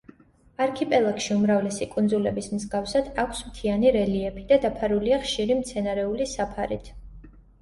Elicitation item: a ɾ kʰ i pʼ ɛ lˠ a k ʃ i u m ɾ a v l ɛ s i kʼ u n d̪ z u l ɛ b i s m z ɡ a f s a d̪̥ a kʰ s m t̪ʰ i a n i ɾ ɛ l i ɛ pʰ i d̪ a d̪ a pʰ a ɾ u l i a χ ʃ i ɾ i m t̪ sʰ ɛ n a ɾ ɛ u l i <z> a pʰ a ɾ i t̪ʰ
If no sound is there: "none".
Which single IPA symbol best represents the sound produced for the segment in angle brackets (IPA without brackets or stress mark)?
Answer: s